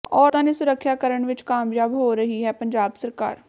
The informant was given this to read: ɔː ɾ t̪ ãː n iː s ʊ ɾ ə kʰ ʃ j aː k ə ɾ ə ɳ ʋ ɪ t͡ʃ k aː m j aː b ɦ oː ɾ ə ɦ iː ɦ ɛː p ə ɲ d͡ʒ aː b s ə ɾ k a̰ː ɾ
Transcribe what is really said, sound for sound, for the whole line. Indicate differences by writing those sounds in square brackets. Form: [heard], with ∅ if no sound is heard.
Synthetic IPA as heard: ɔː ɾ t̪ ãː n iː s ʊ ɾ ə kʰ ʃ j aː k ə ɾ ə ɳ ʋ ɪ t͡ʃ k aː m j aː b ɦ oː ɾ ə ɦ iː ɦ ɛː p ə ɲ d͡ʒ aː b s ə ɾ k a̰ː ɾ